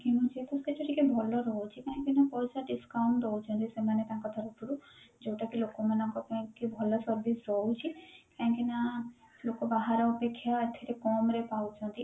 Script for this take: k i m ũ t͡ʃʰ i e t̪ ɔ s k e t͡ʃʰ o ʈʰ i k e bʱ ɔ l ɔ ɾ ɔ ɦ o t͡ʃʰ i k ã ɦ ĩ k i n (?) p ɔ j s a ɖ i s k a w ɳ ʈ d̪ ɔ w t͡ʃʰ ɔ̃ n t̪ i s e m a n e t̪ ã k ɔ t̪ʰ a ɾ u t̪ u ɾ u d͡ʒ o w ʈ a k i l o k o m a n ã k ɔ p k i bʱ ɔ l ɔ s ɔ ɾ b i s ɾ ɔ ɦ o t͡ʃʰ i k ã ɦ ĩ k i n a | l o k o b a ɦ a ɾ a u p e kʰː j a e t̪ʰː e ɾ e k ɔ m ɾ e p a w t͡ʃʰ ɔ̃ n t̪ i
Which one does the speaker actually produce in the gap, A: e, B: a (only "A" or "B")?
B